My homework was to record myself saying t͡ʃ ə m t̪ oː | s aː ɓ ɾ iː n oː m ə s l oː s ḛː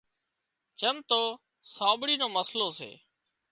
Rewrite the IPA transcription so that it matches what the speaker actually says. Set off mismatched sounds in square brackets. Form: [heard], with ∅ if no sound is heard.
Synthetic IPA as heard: t͡ʃ ə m t̪ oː | s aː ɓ [ɽ] iː n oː m ə s l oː s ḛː

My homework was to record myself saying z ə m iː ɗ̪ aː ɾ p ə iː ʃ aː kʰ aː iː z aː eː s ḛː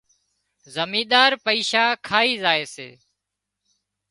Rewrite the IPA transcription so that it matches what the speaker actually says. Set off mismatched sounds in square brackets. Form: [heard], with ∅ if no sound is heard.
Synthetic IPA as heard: z ə m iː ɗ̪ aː ɾ p ə iː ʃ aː kʰ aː iː z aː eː s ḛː

